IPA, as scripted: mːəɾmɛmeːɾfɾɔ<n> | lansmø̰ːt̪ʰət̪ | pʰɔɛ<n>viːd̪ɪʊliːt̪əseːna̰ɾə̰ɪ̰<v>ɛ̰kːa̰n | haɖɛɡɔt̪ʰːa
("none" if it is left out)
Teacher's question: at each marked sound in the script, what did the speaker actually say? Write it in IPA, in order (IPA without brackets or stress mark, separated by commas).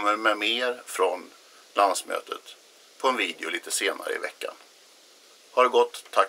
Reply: n, n, v